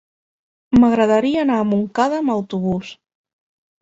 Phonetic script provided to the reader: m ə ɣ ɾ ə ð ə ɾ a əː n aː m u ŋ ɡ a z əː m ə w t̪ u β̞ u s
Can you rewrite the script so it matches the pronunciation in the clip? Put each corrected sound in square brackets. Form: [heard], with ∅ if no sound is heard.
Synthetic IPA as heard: m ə ɣ ɾ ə ð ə ɾ [i] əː n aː m u ŋ [k] a [ð] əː m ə w t̪ u β̞ u s